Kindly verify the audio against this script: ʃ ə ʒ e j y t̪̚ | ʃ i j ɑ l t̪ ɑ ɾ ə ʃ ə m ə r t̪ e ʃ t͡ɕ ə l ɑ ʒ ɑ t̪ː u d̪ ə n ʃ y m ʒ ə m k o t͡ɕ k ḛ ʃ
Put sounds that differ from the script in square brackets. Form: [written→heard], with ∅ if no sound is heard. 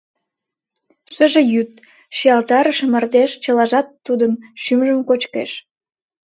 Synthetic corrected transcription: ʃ ə ʒ e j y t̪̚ | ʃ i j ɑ l t̪ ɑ ɾ ə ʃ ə m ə r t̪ e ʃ t͡ɕ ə l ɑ ʒ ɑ t̪ː u d̪ ə n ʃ y m ʒ ə m k o t͡ɕ k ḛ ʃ